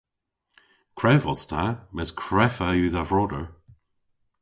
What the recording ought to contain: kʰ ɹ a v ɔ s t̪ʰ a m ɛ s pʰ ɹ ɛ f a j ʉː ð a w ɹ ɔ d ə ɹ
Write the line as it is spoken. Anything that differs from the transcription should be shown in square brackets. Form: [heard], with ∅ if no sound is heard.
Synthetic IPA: kʰ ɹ [ɛ] v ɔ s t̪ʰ a m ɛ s [kʰ] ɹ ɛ f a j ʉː ð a [v] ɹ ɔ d ə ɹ